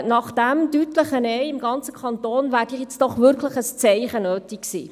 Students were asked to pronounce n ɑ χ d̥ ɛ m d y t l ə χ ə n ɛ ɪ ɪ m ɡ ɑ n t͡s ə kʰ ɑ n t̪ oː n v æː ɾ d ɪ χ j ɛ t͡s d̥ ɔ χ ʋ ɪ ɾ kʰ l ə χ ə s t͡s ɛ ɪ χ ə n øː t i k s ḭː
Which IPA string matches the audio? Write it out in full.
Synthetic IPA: n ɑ χ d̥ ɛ m d y t l ə χ ə n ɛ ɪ ɪ m ɡ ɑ n t͡s ə kʰ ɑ n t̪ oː n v æː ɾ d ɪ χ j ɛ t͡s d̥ ɔ χ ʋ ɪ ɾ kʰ l ə χ ə s t͡s ɛ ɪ χ ə n øː t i k s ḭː